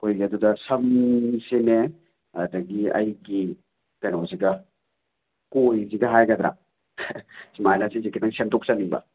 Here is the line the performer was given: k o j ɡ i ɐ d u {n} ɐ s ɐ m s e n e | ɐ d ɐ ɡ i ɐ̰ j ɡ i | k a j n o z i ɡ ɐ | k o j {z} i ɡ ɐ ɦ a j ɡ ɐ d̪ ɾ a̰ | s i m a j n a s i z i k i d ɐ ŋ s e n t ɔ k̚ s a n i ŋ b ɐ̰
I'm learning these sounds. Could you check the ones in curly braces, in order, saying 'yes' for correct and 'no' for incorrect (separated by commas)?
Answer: no, yes